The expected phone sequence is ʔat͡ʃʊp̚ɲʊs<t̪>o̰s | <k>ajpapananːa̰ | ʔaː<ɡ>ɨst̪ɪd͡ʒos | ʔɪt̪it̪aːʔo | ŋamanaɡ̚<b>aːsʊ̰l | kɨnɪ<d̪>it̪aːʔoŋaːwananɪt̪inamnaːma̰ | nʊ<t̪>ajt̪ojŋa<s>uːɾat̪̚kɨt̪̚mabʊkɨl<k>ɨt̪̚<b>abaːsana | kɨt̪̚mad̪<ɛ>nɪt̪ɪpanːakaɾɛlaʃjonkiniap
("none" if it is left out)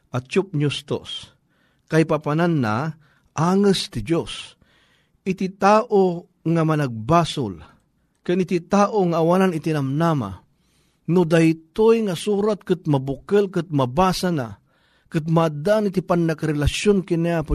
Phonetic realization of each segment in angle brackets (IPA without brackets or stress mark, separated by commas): t̪, k, ŋ, b, t̪, d̪, s, k, m, a